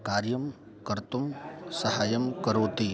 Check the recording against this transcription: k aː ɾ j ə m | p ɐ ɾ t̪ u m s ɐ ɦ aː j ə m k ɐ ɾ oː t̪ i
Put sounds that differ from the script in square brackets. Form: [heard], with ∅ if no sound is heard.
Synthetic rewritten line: k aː ɾ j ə m | [k] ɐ ɾ t̪ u m s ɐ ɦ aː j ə m k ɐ ɾ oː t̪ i